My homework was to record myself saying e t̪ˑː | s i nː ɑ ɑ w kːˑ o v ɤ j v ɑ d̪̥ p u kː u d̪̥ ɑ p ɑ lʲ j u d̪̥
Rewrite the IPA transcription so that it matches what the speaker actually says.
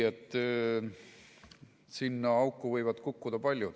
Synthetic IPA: e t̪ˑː | s i nː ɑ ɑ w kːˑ u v ɤ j v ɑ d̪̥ k u kː u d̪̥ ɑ p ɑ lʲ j u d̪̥